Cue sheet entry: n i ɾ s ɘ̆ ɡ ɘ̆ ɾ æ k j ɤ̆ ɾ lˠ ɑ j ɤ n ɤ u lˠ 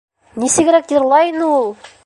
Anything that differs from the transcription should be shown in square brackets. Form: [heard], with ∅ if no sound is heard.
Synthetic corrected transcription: n i [∅] s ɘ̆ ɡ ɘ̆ ɾ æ k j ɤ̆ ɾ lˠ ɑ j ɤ n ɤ u lˠ